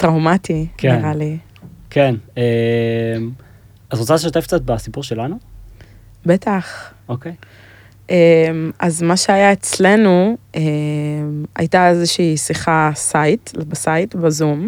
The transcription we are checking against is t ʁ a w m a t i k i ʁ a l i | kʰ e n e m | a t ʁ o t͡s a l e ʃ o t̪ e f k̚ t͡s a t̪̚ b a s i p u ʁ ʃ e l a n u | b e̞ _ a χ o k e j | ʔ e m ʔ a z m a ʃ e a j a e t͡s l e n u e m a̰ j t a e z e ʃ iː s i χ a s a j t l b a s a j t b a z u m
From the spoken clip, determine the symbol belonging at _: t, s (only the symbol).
t